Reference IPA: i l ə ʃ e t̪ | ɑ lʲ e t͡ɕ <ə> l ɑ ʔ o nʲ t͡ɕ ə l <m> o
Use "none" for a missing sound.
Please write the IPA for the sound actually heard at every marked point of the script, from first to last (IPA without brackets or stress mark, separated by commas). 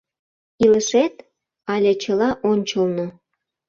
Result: ə, n